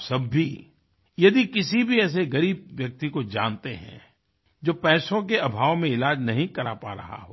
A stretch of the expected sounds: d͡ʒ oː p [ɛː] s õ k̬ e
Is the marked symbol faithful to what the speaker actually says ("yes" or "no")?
yes